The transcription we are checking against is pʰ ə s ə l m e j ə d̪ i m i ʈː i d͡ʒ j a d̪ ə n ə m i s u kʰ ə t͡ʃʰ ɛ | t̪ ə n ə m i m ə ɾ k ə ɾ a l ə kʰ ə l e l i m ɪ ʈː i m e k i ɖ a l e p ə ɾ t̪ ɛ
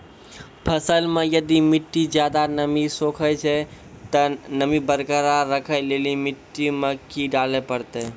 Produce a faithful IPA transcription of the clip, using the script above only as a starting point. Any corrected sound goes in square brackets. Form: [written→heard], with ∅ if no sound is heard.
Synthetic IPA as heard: pʰ ə s ə l m e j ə d̪ i m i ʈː i d͡ʒ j a d̪ [ə→a] n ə m i s [u→o] kʰ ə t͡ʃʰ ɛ | t̪ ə n ə m i [m→b] ə ɾ k ə ɾ a [l→ɾ] ə kʰ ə l e l i m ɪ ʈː i m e k i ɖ a l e p ə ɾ t̪ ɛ